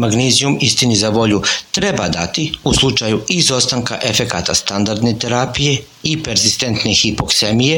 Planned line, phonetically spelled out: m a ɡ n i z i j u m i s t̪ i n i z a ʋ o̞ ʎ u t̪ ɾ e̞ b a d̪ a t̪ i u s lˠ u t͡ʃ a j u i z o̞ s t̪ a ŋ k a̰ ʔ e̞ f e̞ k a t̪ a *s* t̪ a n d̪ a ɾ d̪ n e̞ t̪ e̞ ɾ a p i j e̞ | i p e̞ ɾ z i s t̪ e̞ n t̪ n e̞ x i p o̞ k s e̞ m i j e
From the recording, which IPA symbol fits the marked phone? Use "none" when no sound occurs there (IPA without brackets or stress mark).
s